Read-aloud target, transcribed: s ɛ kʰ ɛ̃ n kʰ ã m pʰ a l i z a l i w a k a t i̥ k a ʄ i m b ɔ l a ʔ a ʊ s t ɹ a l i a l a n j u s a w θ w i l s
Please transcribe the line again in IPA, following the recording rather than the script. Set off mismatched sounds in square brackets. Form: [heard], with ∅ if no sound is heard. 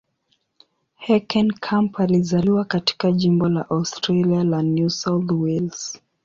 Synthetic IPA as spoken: [h] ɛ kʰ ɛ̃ n kʰ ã m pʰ a l i z a l i w a k a t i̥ k a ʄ i m b ɔ l a ʔ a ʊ s t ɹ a l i a l a n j u s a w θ w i l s